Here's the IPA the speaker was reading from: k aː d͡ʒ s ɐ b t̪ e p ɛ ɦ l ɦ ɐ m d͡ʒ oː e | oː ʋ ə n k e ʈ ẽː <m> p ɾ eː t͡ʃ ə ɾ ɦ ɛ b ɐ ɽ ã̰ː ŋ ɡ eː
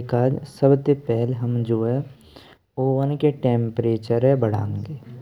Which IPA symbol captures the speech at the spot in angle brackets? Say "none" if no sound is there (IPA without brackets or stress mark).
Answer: m